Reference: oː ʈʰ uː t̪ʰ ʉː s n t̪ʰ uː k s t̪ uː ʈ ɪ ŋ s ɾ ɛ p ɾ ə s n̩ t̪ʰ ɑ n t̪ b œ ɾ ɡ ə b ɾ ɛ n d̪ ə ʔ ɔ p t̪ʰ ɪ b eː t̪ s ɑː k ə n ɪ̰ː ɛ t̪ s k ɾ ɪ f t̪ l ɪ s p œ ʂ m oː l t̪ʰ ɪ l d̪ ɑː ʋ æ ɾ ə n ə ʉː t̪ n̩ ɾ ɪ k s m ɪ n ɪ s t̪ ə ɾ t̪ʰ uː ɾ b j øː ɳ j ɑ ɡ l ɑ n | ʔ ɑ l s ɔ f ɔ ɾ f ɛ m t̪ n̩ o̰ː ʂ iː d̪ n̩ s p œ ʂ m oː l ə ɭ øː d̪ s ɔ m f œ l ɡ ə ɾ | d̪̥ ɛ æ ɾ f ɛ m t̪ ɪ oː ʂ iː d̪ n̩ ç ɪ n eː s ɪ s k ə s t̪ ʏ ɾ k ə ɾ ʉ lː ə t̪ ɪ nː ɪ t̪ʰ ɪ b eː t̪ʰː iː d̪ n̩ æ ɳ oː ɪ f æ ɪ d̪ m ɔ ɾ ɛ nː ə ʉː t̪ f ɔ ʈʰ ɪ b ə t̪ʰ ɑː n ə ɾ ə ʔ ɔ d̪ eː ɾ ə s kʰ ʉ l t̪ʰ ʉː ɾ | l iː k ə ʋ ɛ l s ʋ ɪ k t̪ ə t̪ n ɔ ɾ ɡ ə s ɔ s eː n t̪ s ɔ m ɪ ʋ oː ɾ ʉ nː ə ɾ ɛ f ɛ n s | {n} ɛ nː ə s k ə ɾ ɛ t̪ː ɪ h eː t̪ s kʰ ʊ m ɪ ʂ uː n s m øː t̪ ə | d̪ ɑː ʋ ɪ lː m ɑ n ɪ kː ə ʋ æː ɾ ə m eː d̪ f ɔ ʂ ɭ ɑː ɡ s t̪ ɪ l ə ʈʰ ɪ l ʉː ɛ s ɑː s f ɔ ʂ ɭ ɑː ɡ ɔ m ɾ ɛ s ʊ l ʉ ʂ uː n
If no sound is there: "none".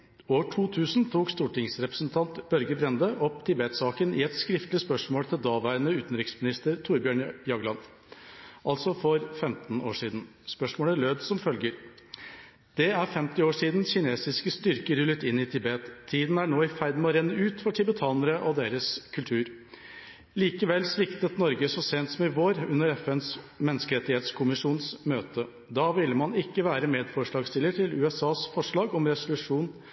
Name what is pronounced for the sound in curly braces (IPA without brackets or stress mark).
m